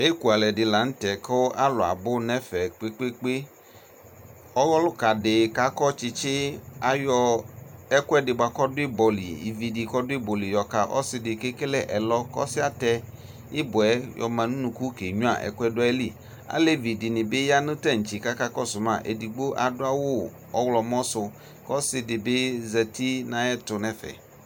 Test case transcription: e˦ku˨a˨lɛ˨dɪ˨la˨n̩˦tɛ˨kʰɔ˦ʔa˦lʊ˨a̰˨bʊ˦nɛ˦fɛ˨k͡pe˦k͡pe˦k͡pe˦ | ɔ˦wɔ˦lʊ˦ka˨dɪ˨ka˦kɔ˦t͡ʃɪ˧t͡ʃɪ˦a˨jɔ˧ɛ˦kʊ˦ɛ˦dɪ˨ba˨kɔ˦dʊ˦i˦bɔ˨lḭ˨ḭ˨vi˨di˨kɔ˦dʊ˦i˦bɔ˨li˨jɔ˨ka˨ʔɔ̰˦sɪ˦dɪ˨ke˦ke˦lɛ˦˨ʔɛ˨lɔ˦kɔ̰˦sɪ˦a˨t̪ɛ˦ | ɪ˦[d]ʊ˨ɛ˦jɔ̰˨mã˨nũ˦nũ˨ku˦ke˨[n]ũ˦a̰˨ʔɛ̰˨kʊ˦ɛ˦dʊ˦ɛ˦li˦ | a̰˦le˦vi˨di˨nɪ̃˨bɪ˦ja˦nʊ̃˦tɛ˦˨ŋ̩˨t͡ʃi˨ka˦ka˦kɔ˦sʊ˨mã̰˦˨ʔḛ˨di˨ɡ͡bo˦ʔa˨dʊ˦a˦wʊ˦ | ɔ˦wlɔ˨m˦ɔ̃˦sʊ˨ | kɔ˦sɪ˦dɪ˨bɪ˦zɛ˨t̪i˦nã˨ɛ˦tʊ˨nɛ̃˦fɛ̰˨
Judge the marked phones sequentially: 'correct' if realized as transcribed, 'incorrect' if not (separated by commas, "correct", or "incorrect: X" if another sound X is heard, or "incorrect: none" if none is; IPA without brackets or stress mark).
incorrect: b, incorrect: ɲ